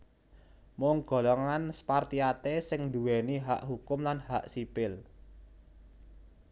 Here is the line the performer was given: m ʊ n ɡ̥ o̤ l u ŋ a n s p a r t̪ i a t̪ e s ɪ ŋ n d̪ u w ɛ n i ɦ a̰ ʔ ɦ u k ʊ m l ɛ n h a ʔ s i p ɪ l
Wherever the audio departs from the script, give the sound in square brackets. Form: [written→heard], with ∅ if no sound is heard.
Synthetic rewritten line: m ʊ [n→ŋ] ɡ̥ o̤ l [u→ɔ] ŋ a n s p a r t̪ i a t̪ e s ɪ ŋ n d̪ u w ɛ n i ɦ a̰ ʔ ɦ u k ʊ m l [ɛ→a] n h a ʔ s i p ɪ l